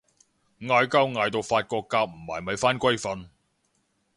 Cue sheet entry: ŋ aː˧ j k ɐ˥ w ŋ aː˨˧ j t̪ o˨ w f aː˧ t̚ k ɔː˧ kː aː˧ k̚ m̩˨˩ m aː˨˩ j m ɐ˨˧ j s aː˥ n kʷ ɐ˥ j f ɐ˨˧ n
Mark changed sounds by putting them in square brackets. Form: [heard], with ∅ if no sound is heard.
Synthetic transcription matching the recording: ŋ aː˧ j k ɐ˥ w ŋ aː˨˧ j t̪ o˨ w f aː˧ t̚ k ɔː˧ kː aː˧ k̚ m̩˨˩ m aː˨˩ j m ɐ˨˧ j [f] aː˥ n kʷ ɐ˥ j f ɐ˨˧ n